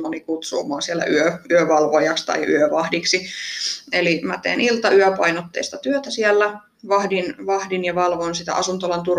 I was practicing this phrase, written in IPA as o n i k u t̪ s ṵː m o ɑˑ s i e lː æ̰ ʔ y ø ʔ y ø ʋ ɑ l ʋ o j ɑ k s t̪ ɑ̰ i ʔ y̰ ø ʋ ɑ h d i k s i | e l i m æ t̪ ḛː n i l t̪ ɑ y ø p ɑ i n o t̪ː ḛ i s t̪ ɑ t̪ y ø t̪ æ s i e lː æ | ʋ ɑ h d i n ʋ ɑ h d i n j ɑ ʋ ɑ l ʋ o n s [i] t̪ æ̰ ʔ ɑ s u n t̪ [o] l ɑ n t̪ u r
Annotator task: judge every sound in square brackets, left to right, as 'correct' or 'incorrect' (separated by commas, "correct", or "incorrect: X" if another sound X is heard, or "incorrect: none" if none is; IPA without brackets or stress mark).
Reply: correct, correct